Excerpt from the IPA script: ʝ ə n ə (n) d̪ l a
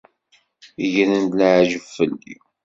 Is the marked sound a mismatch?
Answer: no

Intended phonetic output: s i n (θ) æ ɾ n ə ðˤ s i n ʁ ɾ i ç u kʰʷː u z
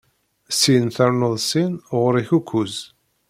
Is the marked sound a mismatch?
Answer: no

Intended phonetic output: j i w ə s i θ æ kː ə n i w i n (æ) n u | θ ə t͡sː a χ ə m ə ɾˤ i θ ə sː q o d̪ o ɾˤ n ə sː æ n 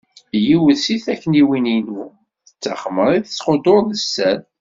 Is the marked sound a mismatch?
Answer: yes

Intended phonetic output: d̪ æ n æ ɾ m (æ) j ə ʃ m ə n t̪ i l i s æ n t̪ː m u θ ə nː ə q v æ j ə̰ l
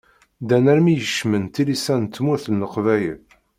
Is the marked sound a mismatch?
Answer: yes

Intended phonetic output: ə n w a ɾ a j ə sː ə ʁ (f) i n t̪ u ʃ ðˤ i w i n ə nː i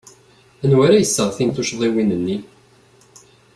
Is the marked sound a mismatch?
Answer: yes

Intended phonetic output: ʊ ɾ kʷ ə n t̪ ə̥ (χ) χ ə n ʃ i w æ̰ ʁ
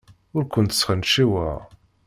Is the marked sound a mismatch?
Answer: yes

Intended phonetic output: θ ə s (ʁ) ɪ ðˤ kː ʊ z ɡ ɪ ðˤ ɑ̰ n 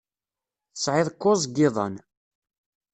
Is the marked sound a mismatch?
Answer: yes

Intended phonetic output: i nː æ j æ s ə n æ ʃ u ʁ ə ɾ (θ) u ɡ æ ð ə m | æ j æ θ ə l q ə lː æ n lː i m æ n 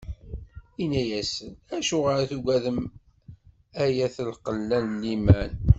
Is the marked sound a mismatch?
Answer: no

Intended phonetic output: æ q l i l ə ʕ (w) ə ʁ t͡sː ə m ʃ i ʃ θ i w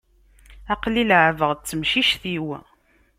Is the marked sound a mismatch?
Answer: yes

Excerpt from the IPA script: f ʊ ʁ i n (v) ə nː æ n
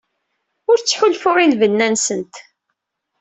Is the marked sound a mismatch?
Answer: no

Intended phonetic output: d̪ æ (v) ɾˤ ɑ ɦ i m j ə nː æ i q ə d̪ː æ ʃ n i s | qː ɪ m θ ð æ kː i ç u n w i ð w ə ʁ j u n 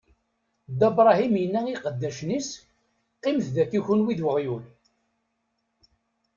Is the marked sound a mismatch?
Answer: yes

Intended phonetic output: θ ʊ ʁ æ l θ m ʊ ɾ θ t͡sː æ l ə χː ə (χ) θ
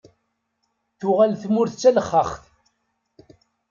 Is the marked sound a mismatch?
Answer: no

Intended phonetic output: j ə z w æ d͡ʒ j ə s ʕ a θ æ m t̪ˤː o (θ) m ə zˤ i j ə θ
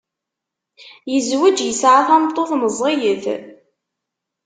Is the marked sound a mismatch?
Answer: no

